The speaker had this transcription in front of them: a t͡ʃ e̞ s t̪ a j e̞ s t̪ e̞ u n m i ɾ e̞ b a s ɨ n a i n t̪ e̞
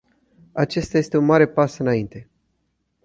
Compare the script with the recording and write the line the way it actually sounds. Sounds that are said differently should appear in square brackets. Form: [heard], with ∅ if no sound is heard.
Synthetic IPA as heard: a t͡ʃ e̞ s t̪ a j e̞ s t̪ e̞ u n m [a] ɾ e̞ [p] a s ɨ n a i n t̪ e̞